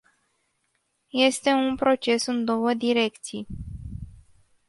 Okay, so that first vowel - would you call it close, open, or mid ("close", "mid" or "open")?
mid